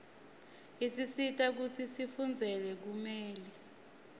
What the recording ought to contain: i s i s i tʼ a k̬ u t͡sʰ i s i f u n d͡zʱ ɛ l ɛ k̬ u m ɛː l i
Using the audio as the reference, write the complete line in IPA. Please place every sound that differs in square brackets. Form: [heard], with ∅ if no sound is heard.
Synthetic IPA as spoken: i s i s i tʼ a k̬ u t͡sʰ i s i f u n d͡zʱ ɛ l ɛ k̬ u m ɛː l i

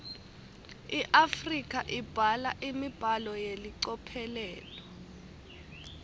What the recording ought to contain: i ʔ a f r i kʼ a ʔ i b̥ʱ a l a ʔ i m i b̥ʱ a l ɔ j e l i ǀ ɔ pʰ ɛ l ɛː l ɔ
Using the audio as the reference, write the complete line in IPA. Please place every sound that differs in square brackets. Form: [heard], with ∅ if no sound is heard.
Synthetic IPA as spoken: i ʔ a f r i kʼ a ʔ i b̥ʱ a l a ʔ i m i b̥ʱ a l ɔ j e l i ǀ ɔ pʰ ɛ l ɛː l ɔ

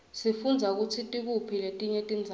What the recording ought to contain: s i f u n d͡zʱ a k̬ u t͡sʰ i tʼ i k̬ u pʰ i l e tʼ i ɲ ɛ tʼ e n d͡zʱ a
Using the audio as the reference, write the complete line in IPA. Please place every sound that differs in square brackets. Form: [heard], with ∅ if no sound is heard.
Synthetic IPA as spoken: s i f u n d͡zʱ a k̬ u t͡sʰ i tʼ i k̬ u pʰ i l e tʼ i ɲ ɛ tʼ [i] n d͡zʱ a

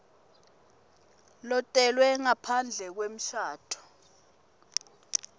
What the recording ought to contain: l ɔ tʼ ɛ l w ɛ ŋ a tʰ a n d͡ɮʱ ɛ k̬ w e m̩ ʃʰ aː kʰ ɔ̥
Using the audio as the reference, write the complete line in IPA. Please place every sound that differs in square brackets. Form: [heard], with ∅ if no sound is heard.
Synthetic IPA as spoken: l ɔ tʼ ɛ l w ɛ ŋ a [pʰ] a n d͡ɮʱ ɛ k̬ w e m̩ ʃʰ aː [tʰ] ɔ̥

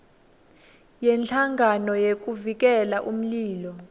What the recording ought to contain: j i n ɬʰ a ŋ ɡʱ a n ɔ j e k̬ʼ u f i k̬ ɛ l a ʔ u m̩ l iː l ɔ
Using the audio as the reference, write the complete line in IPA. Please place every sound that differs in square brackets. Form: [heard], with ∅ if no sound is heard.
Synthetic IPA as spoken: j [ɛ] n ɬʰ a ŋ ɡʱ a n ɔ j e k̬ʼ u [v] i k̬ ɛ l a ʔ u m̩ l iː l ɔ

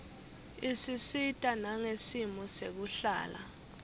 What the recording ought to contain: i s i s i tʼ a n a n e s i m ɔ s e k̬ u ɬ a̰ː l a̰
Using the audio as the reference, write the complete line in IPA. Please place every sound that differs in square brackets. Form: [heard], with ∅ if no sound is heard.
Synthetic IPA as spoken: i s i s i tʼ a n a [ŋ] e s i m ɔ s e k̬ u ɬ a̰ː l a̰

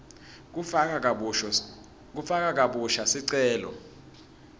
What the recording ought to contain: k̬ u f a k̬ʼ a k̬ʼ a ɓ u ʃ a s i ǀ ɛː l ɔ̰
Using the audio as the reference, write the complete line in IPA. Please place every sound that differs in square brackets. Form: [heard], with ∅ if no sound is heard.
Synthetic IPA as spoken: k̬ u f a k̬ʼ a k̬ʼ a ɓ u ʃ a s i ǀ ɛː l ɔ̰

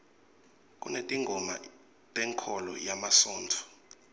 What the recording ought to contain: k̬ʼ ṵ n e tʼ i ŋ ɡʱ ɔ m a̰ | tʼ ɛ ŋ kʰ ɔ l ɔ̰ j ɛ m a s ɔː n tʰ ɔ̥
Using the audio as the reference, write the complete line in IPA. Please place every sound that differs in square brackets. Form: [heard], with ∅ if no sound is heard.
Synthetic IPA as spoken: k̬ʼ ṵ n e tʼ i ŋ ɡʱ ɔ m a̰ | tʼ ɛ ŋ kʰ ɔ l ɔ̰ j [a] m a s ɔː n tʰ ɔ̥

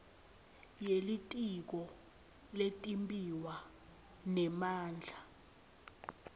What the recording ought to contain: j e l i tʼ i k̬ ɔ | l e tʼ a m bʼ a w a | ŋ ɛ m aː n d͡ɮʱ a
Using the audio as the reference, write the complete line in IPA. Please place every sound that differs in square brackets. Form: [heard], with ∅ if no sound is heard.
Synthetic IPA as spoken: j e l i tʼ i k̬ ɔ | l e tʼ [i] m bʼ [i] w a | [n] ɛ m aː n d͡ɮʱ a

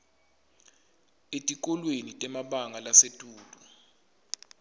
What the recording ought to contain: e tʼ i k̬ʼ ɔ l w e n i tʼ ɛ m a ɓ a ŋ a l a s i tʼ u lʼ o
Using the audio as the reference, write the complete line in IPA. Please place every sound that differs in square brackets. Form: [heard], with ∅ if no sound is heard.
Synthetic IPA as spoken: e tʼ i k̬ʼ ɔ l w e n i tʼ ɛ m a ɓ a ŋ a l a s [e] tʼ [uː] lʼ [u]

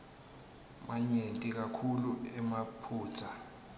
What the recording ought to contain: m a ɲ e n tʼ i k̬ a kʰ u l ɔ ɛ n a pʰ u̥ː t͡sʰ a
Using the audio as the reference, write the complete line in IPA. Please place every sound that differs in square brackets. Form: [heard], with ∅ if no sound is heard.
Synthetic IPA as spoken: m a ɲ e n tʼ i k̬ a kʰ u l [u] ɛ [m] a pʰ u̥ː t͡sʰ a

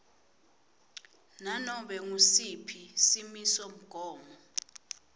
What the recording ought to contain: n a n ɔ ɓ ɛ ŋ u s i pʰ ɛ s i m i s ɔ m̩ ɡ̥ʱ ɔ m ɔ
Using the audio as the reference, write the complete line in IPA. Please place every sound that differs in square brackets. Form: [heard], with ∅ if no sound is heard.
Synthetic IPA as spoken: n a n ɔ ɓ ɛ ŋ u s i pʰ [i] s i m i s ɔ m̩ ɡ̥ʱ [ɔː] m ɔ

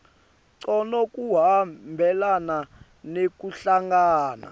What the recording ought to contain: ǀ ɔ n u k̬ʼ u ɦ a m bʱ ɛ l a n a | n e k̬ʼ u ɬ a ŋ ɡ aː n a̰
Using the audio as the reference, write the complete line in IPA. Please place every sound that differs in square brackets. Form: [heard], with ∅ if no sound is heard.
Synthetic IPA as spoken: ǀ ɔ n [ɔ] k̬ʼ u ɦ a m bʱ ɛ l a n a | n e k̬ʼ u ɬ a ŋ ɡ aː n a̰

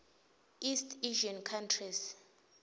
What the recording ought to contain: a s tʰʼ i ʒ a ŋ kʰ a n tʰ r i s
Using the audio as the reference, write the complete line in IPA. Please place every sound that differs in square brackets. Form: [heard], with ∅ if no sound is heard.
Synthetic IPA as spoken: [i] s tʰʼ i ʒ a [n] kʰ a n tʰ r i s

